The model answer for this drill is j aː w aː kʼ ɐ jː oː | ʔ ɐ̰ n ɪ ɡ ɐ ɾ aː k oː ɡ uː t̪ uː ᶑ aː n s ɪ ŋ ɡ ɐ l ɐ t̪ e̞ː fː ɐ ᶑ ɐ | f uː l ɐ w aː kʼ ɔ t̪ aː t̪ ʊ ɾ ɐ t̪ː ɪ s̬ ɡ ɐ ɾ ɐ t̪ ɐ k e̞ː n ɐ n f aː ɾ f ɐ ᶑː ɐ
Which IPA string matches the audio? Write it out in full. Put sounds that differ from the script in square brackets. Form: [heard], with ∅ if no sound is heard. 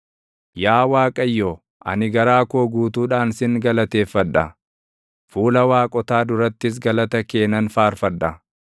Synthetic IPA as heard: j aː w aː kʼ ɐ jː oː | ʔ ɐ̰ n ɪ ɡ ɐ ɾ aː k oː ɡ uː t̪ uː ᶑ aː n s ɪ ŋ ɡ ɐ l ɐ t̪ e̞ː fː ɐ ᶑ ɐ | f uː l ɐ w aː kʼ ɔ t̪ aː [d̪] ʊ ɾ ɐ t̪ː ɪ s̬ ɡ ɐ [l] ɐ t̪ ɐ k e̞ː n ɐ n f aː ɾ f ɐ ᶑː ɐ